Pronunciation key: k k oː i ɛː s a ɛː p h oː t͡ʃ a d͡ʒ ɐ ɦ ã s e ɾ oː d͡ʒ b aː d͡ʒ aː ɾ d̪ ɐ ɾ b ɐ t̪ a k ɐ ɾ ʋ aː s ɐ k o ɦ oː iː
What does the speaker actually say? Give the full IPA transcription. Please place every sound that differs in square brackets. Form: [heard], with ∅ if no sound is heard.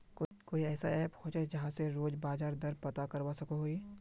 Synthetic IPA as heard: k k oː i ɛː s a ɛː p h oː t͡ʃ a d͡ʒ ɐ ɦ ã s e ɾ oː d͡ʒ b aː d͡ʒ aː ɾ d̪ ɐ ɾ [p] ɐ t̪ a k ɐ ɾ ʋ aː s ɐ k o ɦ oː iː